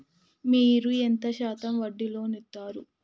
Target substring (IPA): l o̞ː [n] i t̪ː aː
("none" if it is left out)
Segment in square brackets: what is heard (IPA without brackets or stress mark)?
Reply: n